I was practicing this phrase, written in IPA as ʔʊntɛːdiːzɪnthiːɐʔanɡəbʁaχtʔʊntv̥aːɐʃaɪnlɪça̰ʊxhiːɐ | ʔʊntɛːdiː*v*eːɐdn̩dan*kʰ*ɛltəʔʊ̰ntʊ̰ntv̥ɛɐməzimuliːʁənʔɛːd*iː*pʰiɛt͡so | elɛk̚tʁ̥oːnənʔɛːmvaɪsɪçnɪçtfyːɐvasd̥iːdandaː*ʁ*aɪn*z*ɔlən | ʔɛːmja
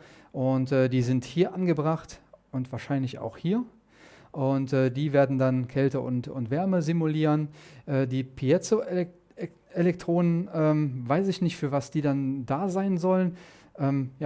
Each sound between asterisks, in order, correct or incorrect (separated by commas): correct, correct, correct, incorrect, correct